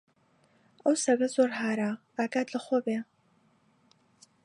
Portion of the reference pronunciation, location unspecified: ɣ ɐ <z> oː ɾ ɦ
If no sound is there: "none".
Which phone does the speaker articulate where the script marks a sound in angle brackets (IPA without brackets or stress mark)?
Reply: z